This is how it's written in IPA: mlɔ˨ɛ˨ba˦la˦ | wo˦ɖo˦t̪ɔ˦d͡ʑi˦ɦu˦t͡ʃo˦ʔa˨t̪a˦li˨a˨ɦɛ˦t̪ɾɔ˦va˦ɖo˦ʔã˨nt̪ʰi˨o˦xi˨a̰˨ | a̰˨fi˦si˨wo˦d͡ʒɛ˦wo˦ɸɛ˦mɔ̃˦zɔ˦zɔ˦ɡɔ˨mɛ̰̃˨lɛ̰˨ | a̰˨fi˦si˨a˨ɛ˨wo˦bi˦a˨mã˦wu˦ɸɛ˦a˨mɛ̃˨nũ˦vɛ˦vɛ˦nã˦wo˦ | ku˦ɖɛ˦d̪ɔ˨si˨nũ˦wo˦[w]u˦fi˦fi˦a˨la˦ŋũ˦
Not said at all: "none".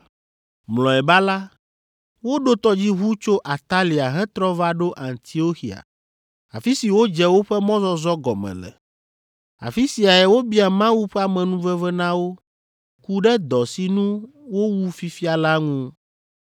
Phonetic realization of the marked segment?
w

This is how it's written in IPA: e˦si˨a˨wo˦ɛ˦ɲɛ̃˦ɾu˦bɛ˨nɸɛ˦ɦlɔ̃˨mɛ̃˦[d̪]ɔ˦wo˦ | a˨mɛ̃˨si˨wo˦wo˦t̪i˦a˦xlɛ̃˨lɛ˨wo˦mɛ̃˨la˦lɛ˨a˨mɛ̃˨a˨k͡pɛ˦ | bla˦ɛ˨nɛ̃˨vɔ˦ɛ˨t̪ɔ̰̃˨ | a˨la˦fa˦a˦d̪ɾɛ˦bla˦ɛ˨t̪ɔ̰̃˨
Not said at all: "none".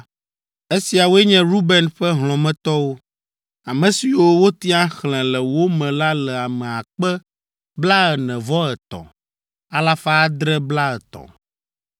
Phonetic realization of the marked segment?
t̪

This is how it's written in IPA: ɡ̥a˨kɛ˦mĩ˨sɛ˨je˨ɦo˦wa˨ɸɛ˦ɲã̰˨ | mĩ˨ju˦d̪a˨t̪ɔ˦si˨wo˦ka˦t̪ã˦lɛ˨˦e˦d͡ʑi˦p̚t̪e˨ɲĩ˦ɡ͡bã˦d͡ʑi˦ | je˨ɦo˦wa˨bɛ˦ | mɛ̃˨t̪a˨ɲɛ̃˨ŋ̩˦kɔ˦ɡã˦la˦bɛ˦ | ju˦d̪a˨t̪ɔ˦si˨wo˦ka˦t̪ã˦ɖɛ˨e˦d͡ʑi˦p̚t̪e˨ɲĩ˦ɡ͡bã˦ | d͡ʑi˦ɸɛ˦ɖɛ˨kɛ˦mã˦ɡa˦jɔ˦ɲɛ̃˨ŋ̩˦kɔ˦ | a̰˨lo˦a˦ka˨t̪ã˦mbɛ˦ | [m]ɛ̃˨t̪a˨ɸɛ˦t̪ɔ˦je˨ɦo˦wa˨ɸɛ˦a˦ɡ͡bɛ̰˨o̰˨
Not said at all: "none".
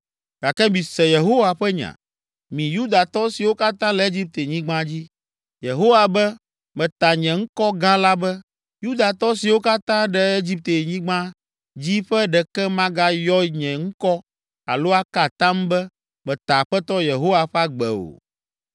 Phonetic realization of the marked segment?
m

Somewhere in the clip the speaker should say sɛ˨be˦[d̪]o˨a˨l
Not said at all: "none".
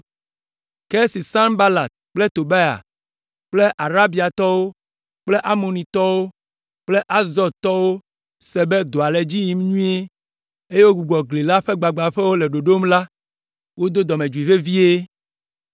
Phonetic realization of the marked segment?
d̪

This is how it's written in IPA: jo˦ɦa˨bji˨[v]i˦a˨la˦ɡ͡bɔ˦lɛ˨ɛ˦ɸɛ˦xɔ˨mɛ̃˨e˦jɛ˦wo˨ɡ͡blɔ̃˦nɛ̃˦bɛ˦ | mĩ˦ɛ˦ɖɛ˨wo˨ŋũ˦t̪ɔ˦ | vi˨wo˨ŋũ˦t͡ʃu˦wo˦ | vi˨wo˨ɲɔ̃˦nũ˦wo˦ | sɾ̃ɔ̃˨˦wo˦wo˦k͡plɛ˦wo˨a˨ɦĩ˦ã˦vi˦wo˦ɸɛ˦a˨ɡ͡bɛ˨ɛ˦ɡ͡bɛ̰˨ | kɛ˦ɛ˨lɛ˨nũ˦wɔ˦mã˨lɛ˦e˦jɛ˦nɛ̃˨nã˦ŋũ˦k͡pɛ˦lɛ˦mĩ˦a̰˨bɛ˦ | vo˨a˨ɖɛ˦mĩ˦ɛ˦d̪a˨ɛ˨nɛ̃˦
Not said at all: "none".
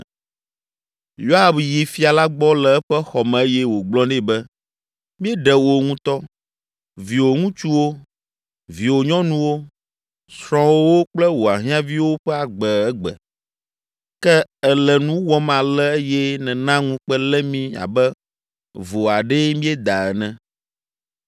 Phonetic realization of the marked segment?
f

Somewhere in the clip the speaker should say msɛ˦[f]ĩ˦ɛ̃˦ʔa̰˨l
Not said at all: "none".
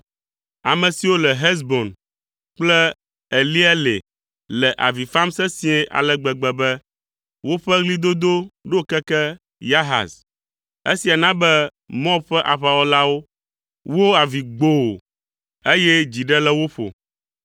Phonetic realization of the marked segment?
s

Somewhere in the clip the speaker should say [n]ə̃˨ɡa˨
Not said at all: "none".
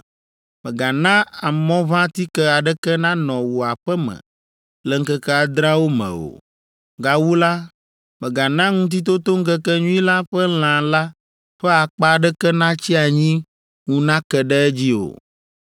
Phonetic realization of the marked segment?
m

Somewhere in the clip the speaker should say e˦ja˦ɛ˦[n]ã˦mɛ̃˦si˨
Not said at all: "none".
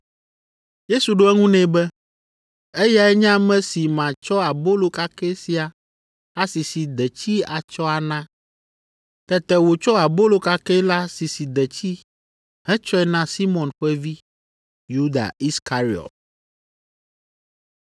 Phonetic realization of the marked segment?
ɲ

